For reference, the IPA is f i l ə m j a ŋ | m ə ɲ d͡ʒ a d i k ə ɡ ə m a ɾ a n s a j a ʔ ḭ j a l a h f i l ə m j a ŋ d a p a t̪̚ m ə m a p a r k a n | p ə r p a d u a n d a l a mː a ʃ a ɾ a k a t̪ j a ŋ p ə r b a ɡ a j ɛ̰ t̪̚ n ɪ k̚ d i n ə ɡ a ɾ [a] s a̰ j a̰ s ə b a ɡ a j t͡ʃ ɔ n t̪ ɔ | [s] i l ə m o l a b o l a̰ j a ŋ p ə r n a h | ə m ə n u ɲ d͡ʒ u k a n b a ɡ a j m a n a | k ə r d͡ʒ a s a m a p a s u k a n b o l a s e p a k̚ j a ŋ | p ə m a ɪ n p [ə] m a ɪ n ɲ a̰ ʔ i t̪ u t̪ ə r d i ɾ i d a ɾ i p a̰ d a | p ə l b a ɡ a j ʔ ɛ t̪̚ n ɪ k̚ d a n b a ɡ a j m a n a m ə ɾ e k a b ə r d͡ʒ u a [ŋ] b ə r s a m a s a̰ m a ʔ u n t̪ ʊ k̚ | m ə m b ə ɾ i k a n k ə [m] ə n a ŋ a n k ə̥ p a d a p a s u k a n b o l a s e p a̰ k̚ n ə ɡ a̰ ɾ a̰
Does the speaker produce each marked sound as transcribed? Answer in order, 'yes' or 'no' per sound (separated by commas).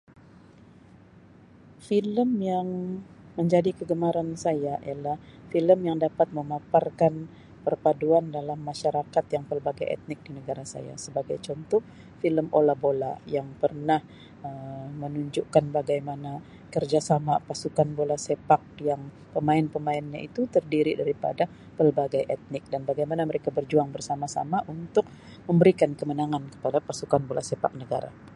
yes, no, yes, yes, yes